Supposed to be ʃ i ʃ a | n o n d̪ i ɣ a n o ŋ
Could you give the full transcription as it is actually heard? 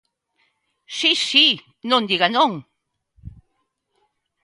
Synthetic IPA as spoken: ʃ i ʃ i | n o n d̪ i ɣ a n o ŋ